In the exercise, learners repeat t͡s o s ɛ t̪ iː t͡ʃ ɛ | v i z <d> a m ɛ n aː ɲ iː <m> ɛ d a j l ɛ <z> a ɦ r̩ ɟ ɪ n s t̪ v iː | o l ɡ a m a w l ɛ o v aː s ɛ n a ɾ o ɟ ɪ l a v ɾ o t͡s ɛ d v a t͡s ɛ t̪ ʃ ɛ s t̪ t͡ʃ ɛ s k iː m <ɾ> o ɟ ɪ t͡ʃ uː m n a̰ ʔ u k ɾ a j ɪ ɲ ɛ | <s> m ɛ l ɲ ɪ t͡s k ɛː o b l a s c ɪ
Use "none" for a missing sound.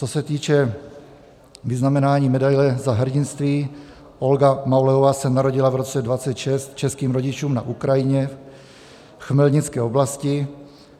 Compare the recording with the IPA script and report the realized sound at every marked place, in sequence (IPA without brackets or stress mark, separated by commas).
n, m, z, ɾ, x